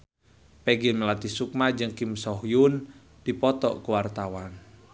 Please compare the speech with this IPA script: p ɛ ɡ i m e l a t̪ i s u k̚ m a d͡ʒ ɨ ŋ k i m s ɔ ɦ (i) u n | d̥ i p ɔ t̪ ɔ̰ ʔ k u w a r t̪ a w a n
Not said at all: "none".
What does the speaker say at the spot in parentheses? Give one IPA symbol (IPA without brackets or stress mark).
j